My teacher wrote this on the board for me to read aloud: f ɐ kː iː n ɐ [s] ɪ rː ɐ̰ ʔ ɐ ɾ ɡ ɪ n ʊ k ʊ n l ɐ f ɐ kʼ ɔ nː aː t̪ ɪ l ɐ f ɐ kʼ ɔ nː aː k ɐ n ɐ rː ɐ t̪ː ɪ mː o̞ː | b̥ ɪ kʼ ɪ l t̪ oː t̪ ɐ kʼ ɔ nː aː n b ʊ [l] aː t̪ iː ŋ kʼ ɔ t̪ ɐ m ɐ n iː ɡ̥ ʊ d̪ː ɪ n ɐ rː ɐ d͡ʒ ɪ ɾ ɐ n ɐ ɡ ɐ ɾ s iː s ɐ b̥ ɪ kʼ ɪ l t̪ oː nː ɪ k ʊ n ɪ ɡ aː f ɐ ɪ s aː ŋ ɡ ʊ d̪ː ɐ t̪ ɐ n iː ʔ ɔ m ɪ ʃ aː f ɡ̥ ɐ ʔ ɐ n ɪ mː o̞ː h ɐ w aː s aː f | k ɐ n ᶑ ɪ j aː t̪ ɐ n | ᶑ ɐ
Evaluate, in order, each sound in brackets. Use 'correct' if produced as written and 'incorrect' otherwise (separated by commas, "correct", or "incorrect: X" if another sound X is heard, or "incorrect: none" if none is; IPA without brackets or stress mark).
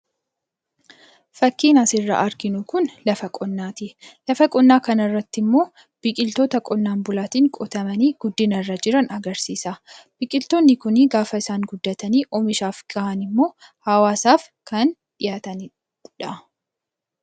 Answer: correct, correct